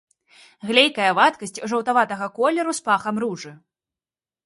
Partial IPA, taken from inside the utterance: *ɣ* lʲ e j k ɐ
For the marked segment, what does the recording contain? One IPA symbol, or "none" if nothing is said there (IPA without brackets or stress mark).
ɣ